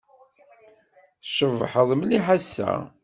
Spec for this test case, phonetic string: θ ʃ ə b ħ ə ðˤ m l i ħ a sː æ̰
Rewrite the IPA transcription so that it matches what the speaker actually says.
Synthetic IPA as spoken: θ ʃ ə v ħ ə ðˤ m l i ħ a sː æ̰